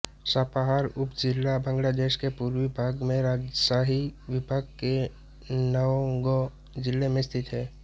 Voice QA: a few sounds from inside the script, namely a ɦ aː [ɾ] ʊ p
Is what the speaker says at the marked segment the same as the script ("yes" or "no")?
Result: yes